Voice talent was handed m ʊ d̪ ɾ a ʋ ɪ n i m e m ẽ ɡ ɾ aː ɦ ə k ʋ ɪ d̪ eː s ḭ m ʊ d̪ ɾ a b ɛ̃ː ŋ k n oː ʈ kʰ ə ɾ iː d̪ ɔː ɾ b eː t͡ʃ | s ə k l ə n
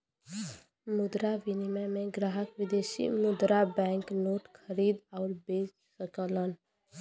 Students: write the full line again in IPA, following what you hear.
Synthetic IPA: m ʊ d̪ ɾ a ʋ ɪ n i m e m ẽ ɡ ɾ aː ɦ ə k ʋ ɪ d̪ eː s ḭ m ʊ d̪ ɾ a b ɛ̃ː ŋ k n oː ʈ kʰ ə ɾ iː d̪ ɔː ɾ b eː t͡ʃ | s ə k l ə n